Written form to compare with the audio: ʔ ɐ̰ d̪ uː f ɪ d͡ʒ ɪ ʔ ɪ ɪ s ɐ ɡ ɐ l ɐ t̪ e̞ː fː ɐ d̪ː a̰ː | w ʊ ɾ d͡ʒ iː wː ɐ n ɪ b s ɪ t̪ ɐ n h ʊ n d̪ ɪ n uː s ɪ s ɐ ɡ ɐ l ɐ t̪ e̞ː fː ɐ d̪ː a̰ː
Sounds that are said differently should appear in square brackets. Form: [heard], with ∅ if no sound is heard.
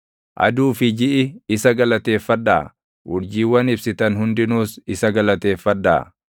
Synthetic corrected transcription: ʔ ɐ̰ d̪ uː f ɪ d͡ʒ ɪ ʔ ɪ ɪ s ɐ ɡ ɐ l ɐ t̪ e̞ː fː ɐ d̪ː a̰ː | w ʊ ɾ d͡ʒ iː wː ɐ n ɪ b s ɪ t̪ ɐ n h ʊ n d̪ ɪ n uː s ɪ s ɐ ɡ ɐ l ɐ t̪ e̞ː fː ɐ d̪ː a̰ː